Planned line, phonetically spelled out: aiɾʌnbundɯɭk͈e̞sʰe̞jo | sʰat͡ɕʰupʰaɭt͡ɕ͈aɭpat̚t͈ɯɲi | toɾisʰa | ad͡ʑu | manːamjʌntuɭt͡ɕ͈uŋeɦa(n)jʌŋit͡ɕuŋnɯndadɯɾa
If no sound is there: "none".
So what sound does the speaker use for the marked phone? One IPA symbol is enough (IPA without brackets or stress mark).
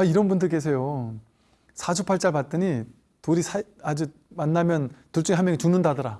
m